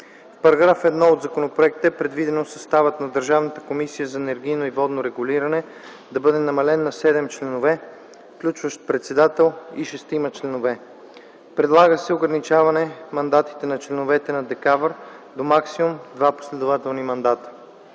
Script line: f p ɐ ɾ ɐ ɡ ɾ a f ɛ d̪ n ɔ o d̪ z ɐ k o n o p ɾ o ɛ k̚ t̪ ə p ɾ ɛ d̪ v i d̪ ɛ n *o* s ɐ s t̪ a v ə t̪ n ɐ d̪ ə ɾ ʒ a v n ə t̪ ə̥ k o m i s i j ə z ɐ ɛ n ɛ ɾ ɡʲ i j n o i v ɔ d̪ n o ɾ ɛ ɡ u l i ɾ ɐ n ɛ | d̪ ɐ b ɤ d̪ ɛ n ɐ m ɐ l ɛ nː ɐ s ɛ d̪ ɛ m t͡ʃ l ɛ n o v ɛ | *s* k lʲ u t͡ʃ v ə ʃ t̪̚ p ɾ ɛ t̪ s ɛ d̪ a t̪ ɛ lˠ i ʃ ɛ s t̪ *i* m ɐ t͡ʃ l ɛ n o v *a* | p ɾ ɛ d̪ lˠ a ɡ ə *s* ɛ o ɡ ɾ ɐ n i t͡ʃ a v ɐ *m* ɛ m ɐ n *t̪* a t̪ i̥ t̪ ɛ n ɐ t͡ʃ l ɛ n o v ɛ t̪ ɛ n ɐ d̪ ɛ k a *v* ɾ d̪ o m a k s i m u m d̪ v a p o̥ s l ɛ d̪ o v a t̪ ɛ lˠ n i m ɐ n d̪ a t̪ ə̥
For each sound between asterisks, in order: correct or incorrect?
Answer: correct, incorrect: f, correct, incorrect: ɛ, correct, incorrect: n, incorrect: d̪, correct

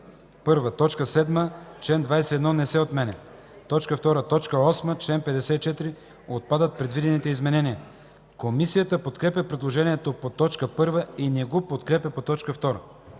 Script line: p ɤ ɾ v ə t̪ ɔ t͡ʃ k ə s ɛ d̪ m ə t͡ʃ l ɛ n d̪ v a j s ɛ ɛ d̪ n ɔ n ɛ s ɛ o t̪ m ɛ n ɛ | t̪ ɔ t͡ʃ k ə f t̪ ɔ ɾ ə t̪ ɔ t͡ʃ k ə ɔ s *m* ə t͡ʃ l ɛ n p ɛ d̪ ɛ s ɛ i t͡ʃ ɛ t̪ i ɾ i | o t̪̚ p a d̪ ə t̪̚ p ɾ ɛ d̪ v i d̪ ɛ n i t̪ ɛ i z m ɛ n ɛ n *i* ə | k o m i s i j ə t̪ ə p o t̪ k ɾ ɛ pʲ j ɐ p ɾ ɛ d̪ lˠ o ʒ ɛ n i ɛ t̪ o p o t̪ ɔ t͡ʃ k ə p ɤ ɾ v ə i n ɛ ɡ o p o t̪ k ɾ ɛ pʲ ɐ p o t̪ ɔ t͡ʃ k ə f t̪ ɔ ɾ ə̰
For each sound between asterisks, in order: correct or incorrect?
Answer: correct, correct

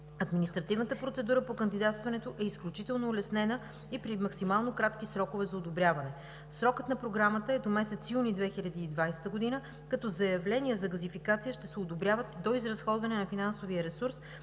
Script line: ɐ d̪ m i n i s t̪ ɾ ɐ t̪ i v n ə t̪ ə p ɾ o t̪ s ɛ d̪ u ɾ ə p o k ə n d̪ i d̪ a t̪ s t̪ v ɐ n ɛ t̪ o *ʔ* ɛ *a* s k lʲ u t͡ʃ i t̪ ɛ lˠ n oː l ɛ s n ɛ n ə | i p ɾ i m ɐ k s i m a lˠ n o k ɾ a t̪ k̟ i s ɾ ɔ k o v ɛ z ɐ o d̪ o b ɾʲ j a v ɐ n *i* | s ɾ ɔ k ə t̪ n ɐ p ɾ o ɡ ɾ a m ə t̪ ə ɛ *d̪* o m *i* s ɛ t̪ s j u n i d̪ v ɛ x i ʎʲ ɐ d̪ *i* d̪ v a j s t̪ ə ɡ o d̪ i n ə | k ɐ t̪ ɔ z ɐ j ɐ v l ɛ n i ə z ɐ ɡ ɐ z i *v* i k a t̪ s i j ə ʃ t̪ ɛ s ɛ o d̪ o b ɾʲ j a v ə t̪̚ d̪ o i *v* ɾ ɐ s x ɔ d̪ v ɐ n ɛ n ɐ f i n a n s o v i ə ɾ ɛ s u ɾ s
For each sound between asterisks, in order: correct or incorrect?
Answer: correct, incorrect: i, incorrect: ɛ, correct, incorrect: ɛ, incorrect: iː, incorrect: f, incorrect: z

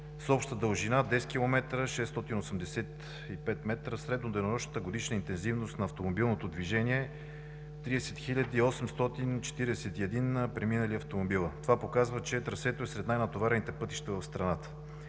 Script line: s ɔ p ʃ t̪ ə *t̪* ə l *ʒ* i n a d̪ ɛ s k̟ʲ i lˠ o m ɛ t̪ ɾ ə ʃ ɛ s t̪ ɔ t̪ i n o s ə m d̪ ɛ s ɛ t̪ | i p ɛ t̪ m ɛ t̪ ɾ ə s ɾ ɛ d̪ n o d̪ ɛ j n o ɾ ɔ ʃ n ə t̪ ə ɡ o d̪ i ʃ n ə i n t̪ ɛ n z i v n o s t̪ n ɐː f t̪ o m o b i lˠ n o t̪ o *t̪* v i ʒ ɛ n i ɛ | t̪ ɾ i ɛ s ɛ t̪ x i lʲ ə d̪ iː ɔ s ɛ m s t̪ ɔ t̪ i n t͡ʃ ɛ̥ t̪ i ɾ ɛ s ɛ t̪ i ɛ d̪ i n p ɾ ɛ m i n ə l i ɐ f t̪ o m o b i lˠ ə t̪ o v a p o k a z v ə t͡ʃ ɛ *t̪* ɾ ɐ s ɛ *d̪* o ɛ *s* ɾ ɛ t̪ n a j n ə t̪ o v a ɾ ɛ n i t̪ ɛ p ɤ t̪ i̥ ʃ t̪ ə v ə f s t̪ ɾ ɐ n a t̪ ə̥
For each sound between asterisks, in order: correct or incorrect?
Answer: incorrect: d̪, correct, incorrect: d̪, correct, incorrect: t̪, correct

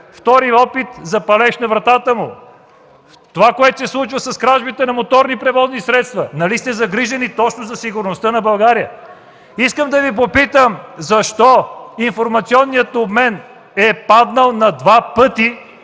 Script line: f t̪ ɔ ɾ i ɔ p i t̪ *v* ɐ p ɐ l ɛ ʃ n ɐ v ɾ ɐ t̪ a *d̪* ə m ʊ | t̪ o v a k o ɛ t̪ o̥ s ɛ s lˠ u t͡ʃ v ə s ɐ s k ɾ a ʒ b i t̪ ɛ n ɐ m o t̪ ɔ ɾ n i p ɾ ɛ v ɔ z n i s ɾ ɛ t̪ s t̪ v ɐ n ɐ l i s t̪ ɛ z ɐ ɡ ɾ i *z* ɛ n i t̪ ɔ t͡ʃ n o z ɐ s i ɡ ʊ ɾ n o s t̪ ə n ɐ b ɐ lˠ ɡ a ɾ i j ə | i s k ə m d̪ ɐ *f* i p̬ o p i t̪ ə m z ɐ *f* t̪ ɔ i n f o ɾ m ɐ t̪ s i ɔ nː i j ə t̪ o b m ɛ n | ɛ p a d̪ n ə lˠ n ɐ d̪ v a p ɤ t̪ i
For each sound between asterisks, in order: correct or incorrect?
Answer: incorrect: z, incorrect: t̪, incorrect: ʒ, incorrect: v, incorrect: ʃ

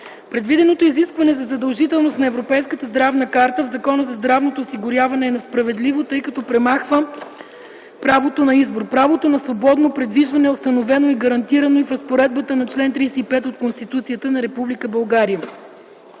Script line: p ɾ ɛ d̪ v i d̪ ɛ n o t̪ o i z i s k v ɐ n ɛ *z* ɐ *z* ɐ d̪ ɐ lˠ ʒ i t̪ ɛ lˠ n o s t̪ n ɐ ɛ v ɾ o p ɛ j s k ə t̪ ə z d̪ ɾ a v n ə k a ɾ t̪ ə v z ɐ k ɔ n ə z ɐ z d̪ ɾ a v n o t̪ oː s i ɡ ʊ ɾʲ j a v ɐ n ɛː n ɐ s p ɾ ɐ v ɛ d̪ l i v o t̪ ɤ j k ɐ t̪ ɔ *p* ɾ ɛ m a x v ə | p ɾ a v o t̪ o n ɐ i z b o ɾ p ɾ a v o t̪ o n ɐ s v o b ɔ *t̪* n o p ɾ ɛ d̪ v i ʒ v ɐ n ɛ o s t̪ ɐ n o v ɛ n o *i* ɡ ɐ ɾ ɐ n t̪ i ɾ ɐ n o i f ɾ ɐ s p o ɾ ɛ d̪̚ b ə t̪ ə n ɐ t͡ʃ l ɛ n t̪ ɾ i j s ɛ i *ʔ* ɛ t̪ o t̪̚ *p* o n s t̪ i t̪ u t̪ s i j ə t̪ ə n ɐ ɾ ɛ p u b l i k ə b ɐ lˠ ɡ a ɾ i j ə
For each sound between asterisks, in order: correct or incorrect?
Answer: correct, correct, correct, incorrect: d̪, correct, incorrect: p, incorrect: k

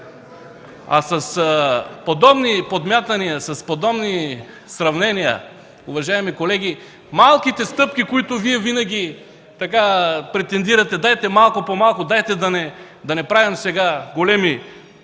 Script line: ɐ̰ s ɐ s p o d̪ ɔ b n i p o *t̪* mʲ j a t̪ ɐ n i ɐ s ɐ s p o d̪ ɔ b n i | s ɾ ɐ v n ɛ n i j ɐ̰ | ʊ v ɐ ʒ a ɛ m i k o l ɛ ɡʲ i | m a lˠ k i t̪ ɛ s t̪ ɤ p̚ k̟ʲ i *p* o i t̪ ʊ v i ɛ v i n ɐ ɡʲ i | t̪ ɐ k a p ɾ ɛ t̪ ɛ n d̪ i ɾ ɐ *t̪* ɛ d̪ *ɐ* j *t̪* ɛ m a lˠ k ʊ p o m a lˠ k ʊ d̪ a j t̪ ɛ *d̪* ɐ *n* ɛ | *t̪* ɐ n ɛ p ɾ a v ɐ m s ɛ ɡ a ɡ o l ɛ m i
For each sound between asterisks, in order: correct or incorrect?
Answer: incorrect: d̪, incorrect: k, correct, incorrect: a, correct, correct, correct, incorrect: d̪

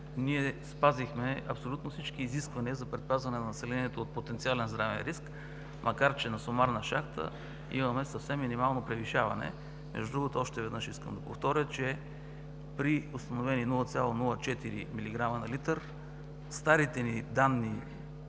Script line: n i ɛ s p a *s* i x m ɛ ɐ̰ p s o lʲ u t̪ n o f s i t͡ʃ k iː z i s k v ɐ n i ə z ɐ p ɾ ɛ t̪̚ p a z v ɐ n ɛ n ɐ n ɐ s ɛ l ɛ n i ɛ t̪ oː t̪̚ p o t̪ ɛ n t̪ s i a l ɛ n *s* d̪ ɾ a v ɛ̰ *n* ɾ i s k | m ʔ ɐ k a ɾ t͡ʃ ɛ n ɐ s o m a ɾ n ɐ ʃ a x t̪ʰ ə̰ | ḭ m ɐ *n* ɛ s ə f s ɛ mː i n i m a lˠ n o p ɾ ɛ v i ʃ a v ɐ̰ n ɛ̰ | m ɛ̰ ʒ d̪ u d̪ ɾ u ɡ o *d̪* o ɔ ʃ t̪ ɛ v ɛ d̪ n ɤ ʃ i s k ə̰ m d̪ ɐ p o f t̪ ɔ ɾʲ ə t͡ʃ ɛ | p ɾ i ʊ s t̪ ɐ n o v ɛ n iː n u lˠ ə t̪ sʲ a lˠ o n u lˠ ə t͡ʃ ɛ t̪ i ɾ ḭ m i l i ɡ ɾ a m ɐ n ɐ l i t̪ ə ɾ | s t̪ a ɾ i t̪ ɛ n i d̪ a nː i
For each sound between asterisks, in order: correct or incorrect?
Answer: incorrect: z, incorrect: z, correct, incorrect: m, incorrect: t̪

